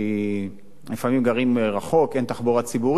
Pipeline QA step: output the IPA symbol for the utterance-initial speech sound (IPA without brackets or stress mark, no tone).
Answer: l